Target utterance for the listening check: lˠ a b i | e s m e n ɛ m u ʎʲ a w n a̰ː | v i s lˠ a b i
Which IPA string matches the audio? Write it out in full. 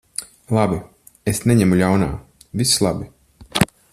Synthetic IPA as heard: lˠ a b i | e s n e ɲ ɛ m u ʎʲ a w n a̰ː | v i s lˠ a b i